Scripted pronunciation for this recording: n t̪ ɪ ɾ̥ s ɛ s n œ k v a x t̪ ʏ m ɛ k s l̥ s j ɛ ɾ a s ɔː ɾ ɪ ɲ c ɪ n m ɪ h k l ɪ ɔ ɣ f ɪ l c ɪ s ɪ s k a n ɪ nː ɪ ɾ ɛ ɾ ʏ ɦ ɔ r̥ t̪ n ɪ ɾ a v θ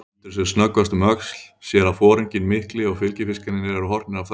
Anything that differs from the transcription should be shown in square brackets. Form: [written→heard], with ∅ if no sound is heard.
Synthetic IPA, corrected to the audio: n t̪ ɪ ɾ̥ s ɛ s n œ k v a [x→s] t̪ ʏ m [ɛ→œ] k s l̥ s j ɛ ɾ a [s→f] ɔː ɾ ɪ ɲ c ɪ n m ɪ h k l ɪ ɔ ɣ f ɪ l c ɪ [s→f] ɪ s k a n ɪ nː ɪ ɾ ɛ ɾ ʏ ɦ ɔ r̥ t̪ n ɪ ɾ a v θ